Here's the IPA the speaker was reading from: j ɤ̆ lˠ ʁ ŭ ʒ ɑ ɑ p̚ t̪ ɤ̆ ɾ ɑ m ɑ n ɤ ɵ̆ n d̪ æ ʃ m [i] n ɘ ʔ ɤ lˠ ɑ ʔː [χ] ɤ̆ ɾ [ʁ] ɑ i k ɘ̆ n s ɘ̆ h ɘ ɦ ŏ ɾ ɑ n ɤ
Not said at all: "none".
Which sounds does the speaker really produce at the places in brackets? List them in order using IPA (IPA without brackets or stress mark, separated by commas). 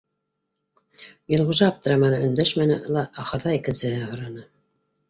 æ, χ, ð